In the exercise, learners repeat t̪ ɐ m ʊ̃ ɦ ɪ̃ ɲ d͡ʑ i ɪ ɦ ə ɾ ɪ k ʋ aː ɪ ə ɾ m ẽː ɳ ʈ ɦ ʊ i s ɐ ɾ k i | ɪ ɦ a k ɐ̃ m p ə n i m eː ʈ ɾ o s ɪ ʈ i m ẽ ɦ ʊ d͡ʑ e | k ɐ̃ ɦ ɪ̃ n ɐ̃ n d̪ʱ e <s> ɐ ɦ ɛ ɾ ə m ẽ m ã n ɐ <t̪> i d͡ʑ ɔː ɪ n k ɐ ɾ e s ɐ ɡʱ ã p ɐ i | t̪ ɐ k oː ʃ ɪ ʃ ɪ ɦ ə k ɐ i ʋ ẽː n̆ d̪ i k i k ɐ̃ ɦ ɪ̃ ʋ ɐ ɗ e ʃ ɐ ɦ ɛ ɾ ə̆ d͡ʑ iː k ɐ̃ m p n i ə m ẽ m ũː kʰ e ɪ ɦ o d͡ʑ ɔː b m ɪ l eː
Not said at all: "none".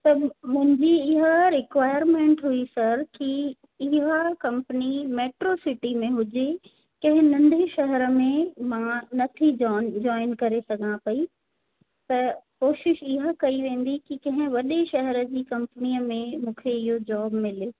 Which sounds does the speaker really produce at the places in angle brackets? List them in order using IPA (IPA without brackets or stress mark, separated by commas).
ʃ, t̪ʰ